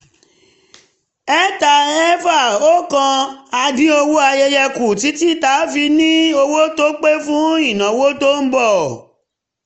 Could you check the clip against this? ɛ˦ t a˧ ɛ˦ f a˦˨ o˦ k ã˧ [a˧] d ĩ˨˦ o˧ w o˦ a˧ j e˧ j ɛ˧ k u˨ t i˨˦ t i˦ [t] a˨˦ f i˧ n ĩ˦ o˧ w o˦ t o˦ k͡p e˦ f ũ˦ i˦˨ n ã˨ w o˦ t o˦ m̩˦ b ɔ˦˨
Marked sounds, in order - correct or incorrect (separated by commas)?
correct, correct